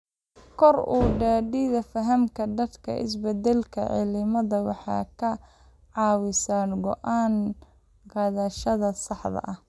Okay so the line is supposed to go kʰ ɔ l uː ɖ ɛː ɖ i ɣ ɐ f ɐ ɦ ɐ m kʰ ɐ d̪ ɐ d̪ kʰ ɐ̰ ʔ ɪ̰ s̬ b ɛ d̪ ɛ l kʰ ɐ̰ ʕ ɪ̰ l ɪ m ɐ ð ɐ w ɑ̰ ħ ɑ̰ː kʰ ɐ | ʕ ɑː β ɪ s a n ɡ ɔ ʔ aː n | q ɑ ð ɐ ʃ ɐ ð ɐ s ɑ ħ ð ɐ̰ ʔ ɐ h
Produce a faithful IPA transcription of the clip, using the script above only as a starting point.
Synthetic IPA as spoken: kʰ ɔ r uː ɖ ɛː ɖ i ð ɐ f ɐ ɦ ɐ m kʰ ɐ d̪ ɐ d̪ kʰ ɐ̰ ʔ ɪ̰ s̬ b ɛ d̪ ɛ l kʰ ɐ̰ ʕ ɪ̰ l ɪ m ɐ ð ɐ w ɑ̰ ħ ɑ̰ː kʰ ɐ | ʕ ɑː w ɪ s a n ɡ ɔ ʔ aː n | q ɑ ð ɐ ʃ ɐ ð ɐ s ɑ ħ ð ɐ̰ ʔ ɐ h